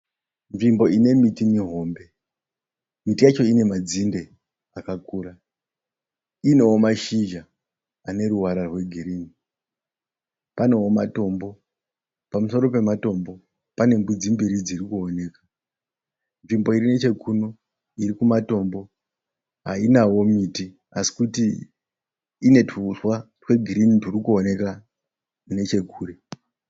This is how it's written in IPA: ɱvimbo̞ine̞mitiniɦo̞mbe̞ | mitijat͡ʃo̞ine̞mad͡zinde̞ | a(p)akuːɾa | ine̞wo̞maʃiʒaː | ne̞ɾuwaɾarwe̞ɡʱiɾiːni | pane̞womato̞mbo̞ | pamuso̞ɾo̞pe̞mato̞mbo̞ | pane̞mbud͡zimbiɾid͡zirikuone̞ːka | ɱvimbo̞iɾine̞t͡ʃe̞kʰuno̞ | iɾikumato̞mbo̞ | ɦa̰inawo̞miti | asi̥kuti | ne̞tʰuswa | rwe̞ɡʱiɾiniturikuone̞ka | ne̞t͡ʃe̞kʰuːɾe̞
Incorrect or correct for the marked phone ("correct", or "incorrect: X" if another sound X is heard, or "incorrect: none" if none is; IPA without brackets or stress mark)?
incorrect: k